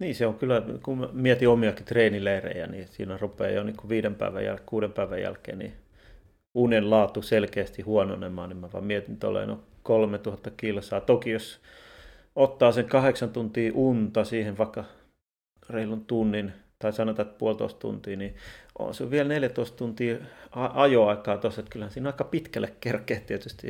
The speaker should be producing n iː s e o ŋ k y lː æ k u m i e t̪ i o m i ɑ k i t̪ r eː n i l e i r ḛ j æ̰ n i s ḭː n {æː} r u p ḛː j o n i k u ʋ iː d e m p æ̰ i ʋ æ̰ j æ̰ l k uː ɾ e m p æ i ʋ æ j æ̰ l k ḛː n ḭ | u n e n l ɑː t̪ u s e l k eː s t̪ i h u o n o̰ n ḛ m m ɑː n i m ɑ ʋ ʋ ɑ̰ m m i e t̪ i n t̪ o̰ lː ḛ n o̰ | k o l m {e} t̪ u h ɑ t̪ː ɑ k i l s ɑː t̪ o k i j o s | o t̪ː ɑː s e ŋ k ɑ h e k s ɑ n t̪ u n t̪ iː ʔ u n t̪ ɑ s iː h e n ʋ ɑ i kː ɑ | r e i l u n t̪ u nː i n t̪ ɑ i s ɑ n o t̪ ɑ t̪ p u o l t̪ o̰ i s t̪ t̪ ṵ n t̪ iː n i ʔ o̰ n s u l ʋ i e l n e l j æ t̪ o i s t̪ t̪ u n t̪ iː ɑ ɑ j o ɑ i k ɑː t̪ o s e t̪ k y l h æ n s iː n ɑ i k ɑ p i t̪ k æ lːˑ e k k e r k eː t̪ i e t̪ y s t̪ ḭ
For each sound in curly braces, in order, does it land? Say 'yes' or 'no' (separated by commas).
no, yes